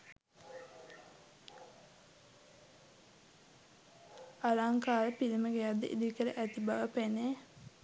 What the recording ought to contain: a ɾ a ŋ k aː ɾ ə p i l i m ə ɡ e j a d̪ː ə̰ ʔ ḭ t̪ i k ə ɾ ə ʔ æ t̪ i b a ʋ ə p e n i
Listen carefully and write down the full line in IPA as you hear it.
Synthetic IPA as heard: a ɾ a ŋ k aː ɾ ə p i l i m ə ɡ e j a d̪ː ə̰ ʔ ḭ d̪ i k ə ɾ ə ʔ æ t̪ i b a ʋ ə p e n e